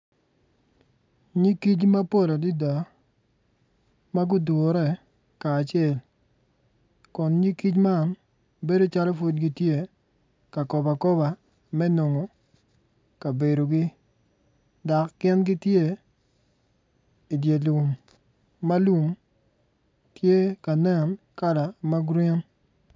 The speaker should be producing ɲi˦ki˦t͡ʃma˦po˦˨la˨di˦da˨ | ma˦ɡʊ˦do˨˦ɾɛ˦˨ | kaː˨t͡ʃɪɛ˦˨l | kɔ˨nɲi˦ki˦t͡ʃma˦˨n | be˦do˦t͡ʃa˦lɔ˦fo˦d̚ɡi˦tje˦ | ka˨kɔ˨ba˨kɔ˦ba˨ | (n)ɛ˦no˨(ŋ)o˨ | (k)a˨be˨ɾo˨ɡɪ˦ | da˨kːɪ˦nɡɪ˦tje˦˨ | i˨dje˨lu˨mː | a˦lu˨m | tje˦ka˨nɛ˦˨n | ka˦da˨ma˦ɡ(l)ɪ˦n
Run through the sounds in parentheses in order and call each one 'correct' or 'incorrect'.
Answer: incorrect, correct, correct, incorrect

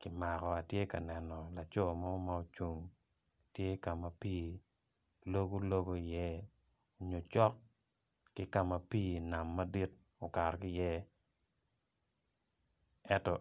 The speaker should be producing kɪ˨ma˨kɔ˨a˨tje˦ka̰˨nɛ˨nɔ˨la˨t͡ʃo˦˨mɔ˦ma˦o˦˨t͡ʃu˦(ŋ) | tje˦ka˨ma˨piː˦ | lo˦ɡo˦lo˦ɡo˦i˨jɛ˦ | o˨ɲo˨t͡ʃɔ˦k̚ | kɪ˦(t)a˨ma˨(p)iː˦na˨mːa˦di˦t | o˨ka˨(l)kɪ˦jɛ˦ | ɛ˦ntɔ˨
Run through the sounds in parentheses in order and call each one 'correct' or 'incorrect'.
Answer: correct, incorrect, correct, incorrect

